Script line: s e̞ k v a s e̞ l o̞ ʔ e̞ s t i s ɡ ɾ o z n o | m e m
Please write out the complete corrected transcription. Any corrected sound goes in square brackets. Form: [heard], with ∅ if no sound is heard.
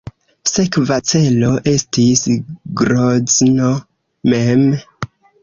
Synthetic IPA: s e̞ k v a [t͡s] e̞ l o̞ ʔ e̞ s t i s ɡ ɾ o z n o | m e m

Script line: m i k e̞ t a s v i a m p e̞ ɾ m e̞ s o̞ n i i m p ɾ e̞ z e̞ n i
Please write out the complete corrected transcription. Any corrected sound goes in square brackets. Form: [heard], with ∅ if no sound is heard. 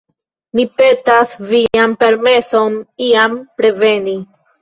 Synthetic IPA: m i [p] e̞ t a s v i a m p e̞ ɾ m e̞ s o̞ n i [a] m p ɾ e̞ [v] e̞ n i

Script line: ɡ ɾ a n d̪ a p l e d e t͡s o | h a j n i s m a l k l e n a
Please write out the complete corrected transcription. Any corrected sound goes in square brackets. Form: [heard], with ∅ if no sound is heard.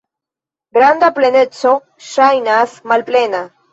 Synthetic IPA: ɡ ɾ a n d̪ a p l e [n] e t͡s o | [ʃ] a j n [a] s m a l [p] l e n a

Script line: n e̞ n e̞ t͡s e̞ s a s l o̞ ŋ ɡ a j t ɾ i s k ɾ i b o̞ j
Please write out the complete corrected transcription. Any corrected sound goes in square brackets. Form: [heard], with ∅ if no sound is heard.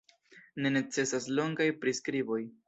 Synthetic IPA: n e̞ n e̞ t͡s e̞ s a s l o̞ ŋ ɡ a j [p] ɾ i s k ɾ i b o̞ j

